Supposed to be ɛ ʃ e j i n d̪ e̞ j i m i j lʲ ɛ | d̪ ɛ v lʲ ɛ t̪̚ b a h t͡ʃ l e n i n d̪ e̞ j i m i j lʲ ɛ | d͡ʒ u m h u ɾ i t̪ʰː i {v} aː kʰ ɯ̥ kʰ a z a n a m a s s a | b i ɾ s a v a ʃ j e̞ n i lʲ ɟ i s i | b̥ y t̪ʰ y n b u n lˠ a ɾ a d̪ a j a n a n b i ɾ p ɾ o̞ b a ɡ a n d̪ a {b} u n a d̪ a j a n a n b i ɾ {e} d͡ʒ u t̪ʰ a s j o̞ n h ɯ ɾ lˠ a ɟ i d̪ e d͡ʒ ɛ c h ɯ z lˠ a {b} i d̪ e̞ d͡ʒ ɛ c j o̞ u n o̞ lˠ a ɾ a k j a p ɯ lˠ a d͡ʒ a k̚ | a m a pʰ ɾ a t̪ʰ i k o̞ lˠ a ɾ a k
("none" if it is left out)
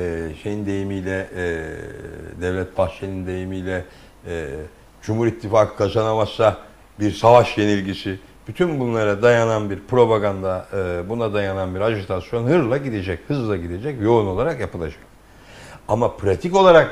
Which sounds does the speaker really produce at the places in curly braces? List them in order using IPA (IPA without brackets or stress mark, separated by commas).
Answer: f, b, a, ɟ